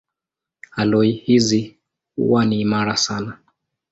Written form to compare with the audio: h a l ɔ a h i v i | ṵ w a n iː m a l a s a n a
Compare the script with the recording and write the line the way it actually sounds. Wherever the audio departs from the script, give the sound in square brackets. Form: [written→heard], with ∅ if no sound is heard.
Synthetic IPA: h a l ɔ [a→i] h i [v→z] i | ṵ w a n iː m a [l→ɾ] a s a n a